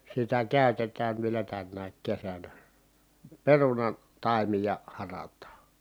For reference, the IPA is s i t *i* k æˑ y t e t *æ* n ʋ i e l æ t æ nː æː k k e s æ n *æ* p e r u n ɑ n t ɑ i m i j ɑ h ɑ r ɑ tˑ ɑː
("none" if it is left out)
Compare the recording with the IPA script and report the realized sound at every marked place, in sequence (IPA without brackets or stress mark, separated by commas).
æ, æː, æ